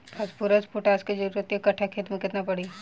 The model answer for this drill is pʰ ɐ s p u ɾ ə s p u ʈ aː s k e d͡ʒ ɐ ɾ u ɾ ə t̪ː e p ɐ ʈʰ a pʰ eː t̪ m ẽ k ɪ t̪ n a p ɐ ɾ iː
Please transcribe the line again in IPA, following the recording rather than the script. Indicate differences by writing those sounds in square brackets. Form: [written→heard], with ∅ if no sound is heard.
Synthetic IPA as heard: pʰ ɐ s p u ɾ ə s p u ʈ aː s k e d͡ʒ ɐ ɾ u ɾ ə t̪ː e [p→k] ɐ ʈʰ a [pʰ→kʰ] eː t̪ m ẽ k ɪ t̪ n a p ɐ [ɾ→ɽ] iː